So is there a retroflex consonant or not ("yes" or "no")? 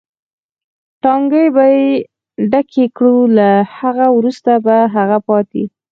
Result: yes